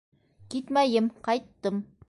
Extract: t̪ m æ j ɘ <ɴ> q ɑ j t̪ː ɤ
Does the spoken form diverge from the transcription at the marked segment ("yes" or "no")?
yes